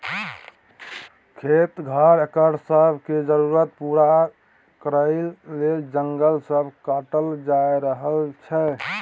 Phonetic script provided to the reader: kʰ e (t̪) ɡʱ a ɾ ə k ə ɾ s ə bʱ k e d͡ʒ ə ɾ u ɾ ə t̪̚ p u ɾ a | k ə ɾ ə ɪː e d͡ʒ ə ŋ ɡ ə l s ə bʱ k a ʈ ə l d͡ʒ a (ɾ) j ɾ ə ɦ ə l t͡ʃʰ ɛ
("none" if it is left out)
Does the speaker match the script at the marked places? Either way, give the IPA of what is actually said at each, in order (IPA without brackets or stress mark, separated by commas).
t̪, none